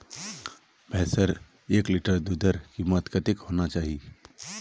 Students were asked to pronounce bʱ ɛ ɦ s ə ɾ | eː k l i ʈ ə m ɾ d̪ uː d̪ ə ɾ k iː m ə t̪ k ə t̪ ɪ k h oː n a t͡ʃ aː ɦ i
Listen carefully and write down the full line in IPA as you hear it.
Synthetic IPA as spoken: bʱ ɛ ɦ s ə ɾ | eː k l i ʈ ə ɾ d̪ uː d̪ ə ɾ k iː m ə t̪ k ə t̪ ɪ k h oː n a t͡ʃ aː ɦ i